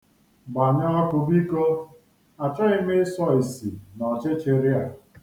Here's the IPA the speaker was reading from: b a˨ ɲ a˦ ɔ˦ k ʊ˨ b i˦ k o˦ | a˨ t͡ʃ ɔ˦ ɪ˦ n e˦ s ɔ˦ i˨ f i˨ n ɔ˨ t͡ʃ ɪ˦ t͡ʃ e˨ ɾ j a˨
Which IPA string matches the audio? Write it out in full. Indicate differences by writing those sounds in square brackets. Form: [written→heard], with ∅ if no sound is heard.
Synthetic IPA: b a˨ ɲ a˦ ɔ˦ k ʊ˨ b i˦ k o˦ | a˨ t͡ʃ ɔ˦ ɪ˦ [n→m] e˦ s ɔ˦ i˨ [f→s] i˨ n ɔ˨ t͡ʃ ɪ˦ t͡ʃ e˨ ɾ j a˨